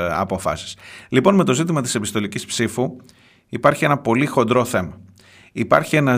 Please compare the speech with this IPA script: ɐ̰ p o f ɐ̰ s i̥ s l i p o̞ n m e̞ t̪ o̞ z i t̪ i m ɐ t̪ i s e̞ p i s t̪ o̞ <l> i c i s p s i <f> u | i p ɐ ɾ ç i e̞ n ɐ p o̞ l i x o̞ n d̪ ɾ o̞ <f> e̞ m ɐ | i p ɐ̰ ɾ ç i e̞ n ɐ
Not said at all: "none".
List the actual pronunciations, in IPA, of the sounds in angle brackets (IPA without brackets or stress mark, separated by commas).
l, f, θ